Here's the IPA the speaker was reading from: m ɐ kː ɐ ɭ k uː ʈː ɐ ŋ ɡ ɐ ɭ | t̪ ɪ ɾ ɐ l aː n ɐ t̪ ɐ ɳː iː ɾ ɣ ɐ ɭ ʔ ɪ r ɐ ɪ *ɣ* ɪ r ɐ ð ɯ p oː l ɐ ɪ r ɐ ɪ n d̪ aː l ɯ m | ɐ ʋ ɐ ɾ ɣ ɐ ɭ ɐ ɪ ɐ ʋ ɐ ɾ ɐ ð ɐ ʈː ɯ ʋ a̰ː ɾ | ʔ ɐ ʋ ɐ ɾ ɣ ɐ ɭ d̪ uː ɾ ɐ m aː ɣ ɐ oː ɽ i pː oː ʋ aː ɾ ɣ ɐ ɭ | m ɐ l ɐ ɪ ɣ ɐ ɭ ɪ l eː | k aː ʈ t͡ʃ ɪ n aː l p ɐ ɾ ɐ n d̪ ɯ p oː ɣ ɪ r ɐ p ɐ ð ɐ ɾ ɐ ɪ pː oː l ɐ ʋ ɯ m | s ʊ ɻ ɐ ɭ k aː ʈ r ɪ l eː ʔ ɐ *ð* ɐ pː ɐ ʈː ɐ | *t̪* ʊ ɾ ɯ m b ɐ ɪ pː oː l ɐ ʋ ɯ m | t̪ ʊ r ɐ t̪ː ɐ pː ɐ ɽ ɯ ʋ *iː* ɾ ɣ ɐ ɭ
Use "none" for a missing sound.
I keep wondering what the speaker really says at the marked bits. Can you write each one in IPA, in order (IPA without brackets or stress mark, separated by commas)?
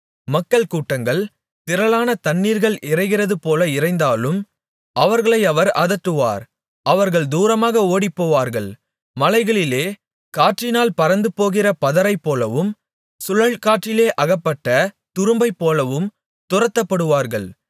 ɣ, ɣ, t̪, aː